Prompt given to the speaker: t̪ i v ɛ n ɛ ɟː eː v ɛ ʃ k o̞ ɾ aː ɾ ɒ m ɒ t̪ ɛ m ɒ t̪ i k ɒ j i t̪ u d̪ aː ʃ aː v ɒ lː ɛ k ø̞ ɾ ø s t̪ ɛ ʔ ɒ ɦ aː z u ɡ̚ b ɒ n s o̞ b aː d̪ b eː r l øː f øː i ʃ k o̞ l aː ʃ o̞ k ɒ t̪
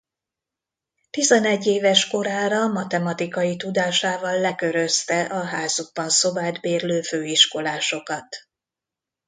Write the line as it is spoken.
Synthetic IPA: t̪ i z ɛ n ɛ ɟː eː v ɛ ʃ k o̞ ɾ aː ɾ ɒ m ɒ t̪ ɛ m ɒ t̪ i k ɒ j i t̪ u d̪ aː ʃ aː v ɒ lː ɛ k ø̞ ɾ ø s t̪ ɛ ʔ ɒ ɦ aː z u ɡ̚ b ɒ n s o̞ b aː d̪ b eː r l øː f øː i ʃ k o̞ l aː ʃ o̞ k ɒ t̪